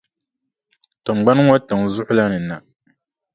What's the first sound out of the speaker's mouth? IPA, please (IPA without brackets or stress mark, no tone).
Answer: t